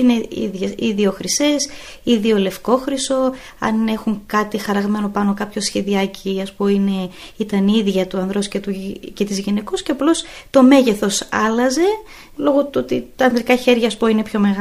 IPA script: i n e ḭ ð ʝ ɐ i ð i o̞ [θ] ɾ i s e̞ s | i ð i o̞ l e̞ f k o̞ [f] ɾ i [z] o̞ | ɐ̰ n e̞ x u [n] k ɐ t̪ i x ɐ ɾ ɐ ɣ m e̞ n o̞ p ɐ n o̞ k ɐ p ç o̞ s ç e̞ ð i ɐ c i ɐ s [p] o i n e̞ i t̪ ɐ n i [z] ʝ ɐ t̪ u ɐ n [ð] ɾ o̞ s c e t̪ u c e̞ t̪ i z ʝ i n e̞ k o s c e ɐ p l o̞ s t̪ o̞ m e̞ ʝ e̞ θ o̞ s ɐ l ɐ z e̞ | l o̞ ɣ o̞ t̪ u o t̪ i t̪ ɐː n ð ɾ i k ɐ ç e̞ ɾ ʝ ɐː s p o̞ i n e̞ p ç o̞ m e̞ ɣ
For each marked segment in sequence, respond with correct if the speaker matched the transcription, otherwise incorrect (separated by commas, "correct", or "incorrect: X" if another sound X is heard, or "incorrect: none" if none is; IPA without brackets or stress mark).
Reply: incorrect: x, incorrect: x, incorrect: s, incorrect: ŋ, correct, incorrect: ð, correct